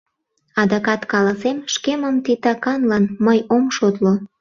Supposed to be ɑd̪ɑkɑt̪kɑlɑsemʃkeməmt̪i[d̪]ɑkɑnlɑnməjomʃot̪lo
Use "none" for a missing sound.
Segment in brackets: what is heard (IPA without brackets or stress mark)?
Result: t̪